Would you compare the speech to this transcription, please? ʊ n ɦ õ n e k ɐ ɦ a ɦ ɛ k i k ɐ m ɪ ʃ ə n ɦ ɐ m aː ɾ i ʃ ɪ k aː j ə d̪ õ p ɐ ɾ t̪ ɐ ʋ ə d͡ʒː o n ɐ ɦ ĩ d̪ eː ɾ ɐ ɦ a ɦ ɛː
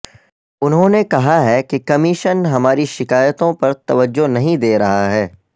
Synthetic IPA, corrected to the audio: ʊ n ɦ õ n e k ɐ ɦ a ɦ ɛ k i k ɐ m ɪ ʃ ə n ɦ ɐ m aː ɾ i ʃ ɪ k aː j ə t̪ õ p ɐ ɾ t̪ ɐ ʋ ə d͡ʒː o n ɐ ɦ ĩ d̪ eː ɾ ɐ ɦ a ɦ ɛː

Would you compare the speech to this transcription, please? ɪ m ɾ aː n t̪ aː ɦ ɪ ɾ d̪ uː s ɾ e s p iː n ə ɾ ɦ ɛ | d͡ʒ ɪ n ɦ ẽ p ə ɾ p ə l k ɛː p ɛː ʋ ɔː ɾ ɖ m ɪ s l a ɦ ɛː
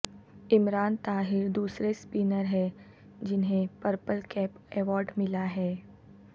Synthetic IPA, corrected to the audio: ɪ m ɾ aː n t̪ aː ɦ ɪ ɾ d̪ uː s ɾ e s p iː n ə ɾ ɦ ɛ | d͡ʒ ɪ n ɦ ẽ p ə ɾ p ə l k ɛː p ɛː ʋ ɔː ɾ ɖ m ɪ l a ɦ ɛː

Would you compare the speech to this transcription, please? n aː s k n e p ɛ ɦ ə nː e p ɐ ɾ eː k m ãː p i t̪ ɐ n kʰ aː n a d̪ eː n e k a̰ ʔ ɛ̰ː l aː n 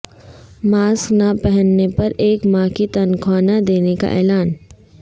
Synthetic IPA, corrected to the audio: m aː s k n a p ɛ ɦ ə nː e p ɐ ɾ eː k m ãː k i t̪ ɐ n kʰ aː n a d̪ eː n e k a̰ ʔ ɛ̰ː l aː n

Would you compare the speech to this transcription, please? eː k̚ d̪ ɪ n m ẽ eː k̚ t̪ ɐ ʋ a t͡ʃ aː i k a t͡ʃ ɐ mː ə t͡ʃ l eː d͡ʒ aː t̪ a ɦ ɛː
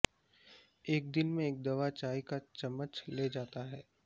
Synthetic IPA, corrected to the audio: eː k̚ d̪ ɪ n m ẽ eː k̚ d̪ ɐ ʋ a t͡ʃ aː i k a t͡ʃ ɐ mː ə t͡ʃ l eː d͡ʒ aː t̪ a ɦ ɛː

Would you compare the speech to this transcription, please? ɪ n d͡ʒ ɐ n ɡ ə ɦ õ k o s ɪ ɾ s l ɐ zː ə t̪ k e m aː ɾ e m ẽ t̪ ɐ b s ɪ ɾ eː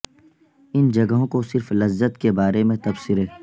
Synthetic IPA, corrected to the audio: ɪ n d͡ʒ ɐ ɡ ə ɦ õ k o s ɪ ɾ f l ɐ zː ə t̪ k e b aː ɾ e m ẽ t̪ ɐ b s ɪ ɾ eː

